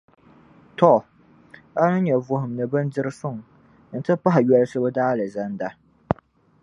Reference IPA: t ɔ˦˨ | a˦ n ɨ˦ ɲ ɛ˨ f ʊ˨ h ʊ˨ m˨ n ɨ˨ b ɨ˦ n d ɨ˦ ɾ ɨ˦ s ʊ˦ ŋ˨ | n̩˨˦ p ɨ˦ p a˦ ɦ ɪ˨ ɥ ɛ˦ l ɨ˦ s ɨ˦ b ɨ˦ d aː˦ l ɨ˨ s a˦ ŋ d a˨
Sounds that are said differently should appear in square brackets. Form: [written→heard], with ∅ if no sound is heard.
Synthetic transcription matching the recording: t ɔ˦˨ | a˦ n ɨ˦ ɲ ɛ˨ [f→v] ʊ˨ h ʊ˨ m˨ n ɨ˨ b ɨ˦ n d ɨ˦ ɾ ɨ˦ s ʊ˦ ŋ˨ | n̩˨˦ [p→t] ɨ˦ p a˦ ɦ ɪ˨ ɥ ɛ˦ l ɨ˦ s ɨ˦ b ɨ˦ d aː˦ l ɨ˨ [s→z] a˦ [ŋ→n] d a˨